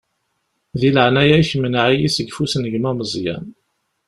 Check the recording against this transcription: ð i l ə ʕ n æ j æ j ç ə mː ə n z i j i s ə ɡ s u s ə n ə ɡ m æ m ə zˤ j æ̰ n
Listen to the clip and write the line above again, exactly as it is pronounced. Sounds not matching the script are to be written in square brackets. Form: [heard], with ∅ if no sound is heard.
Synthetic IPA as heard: ð i l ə ʕ n æ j æ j ç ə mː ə n [ʕ] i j i s ə ɡ [f] u s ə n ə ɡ m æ m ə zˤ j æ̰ n